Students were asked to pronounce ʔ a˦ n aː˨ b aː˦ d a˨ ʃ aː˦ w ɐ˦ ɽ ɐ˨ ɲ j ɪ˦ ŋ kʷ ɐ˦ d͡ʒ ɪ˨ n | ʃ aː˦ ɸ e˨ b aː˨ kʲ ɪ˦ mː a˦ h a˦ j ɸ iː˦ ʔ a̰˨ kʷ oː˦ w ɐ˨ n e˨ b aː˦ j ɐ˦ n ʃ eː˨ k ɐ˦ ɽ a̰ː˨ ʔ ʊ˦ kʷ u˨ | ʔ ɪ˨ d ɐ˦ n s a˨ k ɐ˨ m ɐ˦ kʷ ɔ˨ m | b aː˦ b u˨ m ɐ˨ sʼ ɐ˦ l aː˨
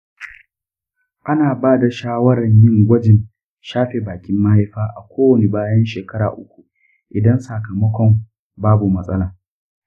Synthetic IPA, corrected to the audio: ʔ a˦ n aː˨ b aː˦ d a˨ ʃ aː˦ w ɐ˦ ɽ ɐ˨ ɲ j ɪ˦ ŋ ɡʷ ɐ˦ d͡ʒ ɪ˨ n | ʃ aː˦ ɸ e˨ b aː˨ kʲ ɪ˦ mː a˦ h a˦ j ɸ aː˦ ʔ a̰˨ kʷ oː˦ w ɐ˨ n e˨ b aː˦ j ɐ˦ n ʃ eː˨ k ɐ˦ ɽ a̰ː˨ ʔ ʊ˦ kʷ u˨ | ʔ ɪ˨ d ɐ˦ n s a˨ k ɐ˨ m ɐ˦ kʷ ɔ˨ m | b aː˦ b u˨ m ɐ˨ sʼ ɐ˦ l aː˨

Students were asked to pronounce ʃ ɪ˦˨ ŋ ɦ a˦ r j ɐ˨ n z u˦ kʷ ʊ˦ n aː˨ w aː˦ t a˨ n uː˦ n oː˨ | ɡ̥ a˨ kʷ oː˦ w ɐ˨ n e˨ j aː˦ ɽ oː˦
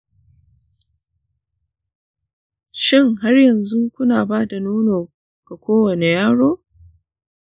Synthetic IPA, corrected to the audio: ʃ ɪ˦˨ ŋ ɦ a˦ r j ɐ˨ n z u˦ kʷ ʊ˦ n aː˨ b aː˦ d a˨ n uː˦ n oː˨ | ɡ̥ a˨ kʷ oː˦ w ɐ˨ n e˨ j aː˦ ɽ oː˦

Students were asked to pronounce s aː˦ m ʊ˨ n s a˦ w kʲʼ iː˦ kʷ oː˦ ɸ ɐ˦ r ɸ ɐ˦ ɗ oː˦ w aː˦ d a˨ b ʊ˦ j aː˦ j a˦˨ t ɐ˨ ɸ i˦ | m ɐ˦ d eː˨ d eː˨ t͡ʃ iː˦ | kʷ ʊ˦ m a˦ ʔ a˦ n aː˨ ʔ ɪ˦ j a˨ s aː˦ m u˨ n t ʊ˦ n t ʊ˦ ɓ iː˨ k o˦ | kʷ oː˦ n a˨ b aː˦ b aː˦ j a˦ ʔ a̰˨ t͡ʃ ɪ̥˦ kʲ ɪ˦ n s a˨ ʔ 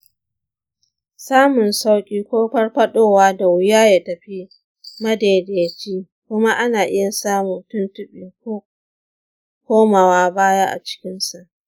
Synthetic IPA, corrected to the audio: s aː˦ m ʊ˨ n s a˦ w kʲʼ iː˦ kʷ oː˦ ɸ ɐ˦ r ɸ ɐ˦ ɗ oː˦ w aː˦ d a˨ w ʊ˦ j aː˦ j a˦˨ t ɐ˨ ɸ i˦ | m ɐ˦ d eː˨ d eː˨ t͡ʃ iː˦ | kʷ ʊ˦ m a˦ ʔ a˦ n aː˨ ʔ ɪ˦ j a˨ s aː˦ m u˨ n t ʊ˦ n t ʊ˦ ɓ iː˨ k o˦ | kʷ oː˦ m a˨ w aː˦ b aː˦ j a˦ ʔ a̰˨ t͡ʃ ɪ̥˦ kʲ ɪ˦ n s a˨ ʔ

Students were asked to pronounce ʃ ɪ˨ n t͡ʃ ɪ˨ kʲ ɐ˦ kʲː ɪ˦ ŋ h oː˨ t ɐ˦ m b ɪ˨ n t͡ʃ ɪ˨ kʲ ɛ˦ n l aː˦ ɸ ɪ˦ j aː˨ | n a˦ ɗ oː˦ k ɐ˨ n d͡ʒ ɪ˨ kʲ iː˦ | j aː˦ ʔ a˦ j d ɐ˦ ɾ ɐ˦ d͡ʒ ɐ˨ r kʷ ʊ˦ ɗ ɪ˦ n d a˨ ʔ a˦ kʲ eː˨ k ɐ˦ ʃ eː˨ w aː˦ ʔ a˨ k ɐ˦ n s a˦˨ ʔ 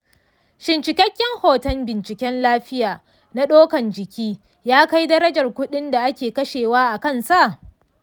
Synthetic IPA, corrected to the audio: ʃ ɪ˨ n t͡ʃ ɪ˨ kʲ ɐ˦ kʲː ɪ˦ ŋ h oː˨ t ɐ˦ m b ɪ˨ n t͡ʃ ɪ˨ kʲ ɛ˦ n l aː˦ ɸ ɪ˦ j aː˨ | n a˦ ɗ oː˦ k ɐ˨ n d͡ʒ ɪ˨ kʲ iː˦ | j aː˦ k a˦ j d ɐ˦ ɾ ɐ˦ d͡ʒ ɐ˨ r kʷ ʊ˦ ɗ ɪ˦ n d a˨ ʔ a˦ kʲ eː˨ k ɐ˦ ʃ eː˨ w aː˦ ʔ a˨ k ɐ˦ n s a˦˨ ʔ

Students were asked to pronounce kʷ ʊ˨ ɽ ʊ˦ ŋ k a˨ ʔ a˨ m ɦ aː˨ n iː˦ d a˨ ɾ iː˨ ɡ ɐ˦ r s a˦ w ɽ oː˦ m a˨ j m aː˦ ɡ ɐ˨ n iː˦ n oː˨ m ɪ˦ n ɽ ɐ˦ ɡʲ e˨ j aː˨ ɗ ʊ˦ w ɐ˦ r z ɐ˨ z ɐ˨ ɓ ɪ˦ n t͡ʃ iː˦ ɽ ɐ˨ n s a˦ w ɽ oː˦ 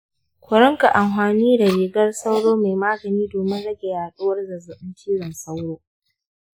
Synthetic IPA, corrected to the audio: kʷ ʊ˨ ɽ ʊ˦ ŋ k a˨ ʔ a˨ m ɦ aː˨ n iː˦ d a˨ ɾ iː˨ ɡ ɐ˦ r s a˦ w ɽ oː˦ m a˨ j m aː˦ ɡ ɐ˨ n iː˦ d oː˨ m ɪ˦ n ɽ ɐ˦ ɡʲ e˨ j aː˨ ɗ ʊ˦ w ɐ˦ r z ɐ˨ z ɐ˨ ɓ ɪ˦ n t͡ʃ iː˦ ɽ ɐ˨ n s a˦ w ɽ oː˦

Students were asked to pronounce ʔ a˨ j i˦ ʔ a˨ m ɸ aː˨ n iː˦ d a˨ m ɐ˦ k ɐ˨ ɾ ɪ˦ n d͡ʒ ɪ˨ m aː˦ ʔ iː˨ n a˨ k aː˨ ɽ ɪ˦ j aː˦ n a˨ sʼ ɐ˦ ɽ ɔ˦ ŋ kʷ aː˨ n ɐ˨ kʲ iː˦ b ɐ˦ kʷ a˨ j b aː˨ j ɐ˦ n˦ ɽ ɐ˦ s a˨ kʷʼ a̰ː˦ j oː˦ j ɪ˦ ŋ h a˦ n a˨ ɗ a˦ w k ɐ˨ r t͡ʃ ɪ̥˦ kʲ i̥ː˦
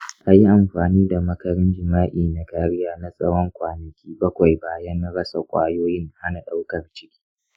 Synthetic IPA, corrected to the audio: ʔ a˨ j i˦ ʔ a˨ m ɸ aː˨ n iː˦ d a˨ m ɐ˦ k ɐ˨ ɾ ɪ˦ n d͡ʒ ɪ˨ m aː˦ ʔ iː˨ n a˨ k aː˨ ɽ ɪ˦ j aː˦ n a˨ sʼ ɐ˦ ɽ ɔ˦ ŋ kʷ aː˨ n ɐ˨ kʲ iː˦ b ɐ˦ kʷ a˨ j b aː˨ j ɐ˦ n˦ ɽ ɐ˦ s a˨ kʷʼ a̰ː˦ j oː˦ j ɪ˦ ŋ h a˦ n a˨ ɗ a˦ w k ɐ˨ r t͡ʃ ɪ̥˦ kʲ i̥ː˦

